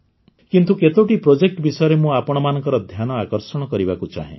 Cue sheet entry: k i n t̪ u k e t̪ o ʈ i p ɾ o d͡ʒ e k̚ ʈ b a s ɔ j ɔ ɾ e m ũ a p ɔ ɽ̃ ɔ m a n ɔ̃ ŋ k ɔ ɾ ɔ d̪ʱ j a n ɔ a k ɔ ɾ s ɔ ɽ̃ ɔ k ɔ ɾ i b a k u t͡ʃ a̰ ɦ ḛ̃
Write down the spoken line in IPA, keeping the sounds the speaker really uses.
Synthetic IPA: k i n t̪ u k e t̪ o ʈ i p ɾ o d͡ʒ e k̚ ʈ b i s ɔ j ɔ ɾ e m ũ a p ɔ ɽ̃ ɔ m a n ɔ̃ ŋ k ɔ ɾ ɔ d̪ʱ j a n ɔ a k ɔ ɾ s ɔ ɽ̃ ɔ k ɔ ɾ i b a k u t͡ʃ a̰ ɦ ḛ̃